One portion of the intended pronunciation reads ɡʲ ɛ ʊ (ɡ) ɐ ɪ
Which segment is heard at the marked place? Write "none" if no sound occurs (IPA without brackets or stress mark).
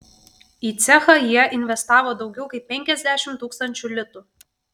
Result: k